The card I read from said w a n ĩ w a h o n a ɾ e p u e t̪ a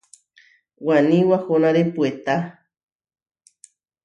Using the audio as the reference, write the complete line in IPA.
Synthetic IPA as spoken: w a n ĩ w a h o n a ɾ e p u e t̪ a